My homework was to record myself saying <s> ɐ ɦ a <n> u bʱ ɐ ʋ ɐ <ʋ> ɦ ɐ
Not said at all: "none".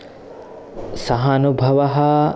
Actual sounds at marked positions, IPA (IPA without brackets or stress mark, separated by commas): s, n, none